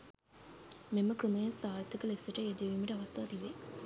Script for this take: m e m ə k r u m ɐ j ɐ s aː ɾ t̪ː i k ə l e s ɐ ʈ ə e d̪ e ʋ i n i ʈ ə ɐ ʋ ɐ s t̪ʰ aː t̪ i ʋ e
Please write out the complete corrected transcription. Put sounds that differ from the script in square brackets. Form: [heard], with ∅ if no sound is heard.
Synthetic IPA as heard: m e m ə k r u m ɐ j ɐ s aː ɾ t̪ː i k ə l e s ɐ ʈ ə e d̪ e ʋ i [m] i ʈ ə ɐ ʋ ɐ s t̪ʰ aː t̪ i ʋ e